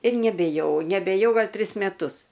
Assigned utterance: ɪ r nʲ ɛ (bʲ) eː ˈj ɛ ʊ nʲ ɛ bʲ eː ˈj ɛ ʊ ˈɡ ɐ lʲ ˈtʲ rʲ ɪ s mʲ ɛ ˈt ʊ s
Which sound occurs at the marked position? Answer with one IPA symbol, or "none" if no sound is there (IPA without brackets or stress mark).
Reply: bʲ